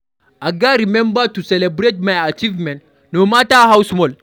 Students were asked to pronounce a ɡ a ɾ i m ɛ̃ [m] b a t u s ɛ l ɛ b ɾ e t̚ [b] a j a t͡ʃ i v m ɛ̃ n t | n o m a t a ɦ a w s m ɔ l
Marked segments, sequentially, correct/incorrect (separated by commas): correct, incorrect